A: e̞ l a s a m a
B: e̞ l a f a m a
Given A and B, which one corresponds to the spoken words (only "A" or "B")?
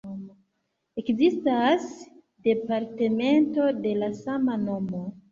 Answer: A